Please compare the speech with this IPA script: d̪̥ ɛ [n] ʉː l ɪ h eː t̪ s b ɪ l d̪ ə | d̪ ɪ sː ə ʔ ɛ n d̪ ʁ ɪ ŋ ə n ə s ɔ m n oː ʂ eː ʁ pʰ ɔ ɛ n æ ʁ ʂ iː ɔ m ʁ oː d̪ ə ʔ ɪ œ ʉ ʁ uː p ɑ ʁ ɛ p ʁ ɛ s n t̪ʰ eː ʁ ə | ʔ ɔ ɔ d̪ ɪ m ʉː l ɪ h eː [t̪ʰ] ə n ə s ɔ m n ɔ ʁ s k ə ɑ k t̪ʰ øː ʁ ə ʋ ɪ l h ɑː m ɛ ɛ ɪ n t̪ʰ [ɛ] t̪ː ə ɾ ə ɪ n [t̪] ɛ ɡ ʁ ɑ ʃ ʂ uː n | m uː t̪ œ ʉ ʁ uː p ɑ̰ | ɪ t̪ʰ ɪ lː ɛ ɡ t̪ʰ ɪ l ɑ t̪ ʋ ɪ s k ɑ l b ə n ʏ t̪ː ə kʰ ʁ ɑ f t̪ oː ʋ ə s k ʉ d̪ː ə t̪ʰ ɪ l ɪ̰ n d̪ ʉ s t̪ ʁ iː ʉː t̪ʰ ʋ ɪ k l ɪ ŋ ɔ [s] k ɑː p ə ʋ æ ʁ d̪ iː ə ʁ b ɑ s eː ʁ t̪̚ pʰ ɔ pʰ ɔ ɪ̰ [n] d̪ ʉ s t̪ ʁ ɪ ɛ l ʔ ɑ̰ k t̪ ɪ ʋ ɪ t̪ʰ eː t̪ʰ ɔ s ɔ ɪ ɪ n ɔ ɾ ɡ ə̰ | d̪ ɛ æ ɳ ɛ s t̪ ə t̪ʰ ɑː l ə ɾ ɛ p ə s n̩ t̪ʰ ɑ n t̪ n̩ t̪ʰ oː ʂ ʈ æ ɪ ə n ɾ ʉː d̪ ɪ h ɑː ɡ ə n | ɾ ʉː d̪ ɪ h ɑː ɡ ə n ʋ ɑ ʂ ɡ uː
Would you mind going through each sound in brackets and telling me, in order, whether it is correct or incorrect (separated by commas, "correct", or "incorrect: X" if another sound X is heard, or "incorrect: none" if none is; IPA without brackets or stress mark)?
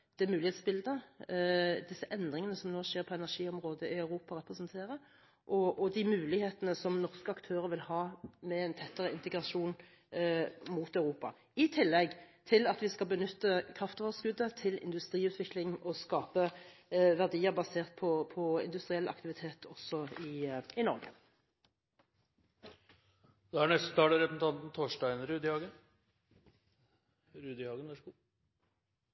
incorrect: m, incorrect: t̪, correct, correct, correct, correct